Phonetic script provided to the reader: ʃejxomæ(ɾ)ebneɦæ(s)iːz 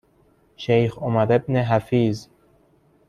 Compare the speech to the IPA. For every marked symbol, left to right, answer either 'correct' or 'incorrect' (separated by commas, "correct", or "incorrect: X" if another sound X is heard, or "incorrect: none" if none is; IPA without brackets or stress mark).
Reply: correct, incorrect: f